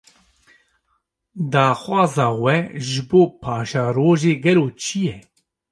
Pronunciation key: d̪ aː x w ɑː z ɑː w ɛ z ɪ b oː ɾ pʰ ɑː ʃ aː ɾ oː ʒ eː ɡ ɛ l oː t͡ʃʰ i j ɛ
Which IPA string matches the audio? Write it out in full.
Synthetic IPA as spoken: d̪ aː x w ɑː z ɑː w ɛ ʒ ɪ b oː pʰ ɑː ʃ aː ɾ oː ʒ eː ɡ ɛ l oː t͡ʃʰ i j ɛ